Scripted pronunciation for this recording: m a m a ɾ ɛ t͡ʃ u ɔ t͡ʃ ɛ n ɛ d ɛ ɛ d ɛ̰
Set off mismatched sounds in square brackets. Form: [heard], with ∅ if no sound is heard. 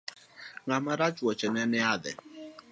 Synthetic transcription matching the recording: [ŋ] a m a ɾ [a] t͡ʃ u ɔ t͡ʃ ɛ n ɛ [n] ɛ [a] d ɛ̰